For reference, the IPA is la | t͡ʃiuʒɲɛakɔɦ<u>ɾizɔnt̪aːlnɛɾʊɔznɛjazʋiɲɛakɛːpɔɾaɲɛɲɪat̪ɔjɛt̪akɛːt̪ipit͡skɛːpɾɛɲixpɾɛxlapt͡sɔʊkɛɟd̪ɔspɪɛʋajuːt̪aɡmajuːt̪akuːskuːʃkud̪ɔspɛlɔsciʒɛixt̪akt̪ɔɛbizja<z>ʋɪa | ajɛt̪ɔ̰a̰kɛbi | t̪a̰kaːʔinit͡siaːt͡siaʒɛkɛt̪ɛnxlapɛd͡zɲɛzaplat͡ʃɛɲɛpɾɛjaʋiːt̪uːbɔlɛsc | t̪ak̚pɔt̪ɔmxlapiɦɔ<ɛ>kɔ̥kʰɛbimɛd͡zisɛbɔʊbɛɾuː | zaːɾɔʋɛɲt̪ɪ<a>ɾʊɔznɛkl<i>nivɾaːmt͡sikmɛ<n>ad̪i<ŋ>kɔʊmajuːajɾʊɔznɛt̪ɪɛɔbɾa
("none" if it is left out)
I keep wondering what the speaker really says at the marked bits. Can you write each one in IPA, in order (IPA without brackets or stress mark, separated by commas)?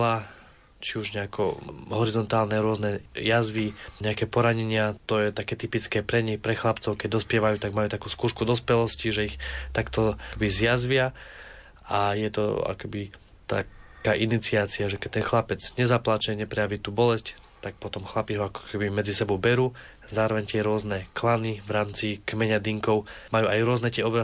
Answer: ɔ, z, a, ɛ, a, ɲ, ŋ